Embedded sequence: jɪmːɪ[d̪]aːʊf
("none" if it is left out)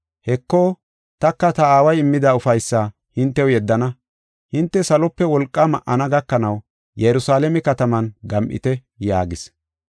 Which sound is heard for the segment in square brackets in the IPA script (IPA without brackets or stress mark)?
d̪